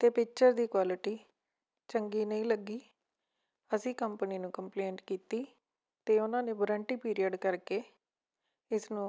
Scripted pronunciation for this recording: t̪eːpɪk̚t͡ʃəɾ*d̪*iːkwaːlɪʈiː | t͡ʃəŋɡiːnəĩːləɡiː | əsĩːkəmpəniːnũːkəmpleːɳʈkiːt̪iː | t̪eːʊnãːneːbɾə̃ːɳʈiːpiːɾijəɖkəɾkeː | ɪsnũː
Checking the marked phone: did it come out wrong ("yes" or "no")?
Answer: no